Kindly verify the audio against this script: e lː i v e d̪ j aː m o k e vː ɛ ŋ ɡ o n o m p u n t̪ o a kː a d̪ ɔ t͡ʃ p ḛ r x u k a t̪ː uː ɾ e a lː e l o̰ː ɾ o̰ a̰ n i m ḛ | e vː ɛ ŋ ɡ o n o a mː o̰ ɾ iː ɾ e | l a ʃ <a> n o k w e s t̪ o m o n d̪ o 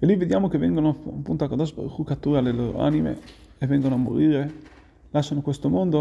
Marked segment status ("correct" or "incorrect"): correct